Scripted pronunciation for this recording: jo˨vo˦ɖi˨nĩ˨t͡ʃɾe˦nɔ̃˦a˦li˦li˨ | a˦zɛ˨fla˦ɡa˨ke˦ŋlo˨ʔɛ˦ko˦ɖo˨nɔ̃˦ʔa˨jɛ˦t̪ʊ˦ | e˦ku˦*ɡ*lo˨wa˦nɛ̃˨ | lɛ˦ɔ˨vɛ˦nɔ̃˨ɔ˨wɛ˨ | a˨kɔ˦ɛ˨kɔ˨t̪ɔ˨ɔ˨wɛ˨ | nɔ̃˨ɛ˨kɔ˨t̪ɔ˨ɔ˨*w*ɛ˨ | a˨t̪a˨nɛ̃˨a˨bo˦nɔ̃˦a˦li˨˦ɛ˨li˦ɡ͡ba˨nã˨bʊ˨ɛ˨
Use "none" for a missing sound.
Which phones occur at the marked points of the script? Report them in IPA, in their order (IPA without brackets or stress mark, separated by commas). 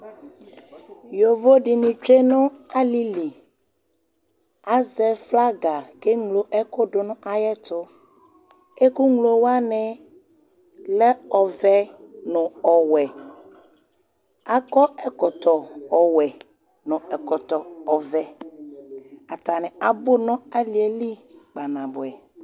ŋ, v